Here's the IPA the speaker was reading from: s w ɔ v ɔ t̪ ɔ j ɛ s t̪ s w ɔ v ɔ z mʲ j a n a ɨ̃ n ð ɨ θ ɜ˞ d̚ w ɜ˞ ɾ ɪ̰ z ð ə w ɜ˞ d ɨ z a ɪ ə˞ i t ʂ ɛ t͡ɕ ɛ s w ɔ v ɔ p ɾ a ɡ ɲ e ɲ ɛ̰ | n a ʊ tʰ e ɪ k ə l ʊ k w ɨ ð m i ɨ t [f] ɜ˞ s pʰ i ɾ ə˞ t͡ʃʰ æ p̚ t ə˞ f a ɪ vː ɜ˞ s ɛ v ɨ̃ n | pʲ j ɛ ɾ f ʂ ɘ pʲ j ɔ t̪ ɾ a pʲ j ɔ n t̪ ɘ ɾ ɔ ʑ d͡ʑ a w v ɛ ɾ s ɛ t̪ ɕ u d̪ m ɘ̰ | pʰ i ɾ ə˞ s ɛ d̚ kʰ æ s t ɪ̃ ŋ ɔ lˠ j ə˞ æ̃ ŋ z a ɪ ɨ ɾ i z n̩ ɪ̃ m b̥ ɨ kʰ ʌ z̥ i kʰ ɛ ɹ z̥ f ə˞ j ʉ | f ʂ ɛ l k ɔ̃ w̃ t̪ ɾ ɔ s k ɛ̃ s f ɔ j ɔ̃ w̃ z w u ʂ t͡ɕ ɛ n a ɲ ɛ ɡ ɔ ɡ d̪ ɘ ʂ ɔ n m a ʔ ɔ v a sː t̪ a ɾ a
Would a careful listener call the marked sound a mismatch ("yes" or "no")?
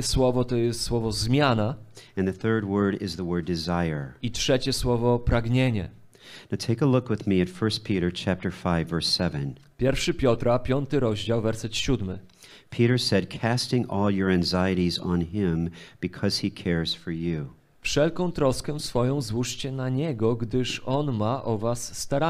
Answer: no